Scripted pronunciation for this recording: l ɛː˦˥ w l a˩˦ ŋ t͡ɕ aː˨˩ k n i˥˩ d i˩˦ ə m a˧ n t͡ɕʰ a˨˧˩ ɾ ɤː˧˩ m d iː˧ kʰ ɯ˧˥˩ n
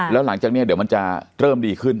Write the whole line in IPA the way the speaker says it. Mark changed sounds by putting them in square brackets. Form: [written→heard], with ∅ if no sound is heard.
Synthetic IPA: l ɛː˦˥ w l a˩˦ ŋ t͡ɕ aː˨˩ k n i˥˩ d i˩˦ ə m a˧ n [t͡ɕʰ→t͡ɕ] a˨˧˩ ɾ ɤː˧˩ m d iː˧ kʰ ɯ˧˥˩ n